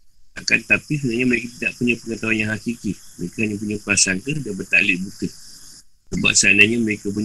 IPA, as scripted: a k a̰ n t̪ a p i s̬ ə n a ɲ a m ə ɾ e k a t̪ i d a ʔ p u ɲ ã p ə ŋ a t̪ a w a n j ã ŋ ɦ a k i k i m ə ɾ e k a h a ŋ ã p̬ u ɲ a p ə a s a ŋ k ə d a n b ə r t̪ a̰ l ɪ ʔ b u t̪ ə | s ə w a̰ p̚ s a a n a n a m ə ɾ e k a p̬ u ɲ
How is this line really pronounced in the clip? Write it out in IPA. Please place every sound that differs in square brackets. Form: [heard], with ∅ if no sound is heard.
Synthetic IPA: a k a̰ n t̪ a p i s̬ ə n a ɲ a m ə ɾ e k a t̪ i d a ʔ p u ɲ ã p ə ŋ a t̪ a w a n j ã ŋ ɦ a k i k i m ə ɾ e k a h a [ɲ] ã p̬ u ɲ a p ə a s a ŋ k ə d a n b ə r t̪ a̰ l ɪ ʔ b u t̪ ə | s ə [b] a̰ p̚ s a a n a [ɲ] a m ə ɾ e k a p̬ u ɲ